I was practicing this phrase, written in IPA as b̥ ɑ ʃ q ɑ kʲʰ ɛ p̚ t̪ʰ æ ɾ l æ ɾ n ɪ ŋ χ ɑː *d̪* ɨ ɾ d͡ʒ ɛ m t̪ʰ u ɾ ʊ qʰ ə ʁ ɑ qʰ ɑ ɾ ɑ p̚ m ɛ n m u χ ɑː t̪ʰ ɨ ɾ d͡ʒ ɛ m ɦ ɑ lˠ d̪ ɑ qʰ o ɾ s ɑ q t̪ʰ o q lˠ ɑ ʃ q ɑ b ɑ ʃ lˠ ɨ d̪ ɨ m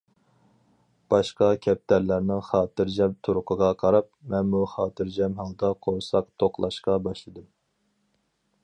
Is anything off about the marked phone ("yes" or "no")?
yes